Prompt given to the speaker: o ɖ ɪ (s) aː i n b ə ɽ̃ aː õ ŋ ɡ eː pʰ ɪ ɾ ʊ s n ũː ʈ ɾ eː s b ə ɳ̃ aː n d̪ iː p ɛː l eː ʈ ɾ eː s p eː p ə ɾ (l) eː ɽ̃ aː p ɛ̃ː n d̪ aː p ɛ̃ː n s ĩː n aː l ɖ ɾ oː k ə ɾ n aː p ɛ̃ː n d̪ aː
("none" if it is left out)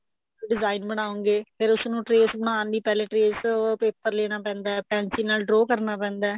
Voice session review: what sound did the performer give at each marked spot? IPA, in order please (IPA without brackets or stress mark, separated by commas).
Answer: z, l